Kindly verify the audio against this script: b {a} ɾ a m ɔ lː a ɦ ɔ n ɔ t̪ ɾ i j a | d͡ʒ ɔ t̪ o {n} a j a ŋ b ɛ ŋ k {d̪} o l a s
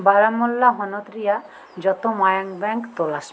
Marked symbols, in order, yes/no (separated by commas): yes, no, no